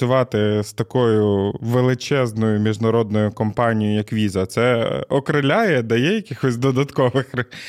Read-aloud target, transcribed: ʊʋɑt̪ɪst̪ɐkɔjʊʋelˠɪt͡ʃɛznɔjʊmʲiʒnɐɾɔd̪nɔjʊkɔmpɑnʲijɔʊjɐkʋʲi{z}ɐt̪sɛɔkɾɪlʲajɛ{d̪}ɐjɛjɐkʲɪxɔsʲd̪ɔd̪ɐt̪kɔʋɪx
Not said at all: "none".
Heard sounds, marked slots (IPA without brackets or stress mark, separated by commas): z, d̪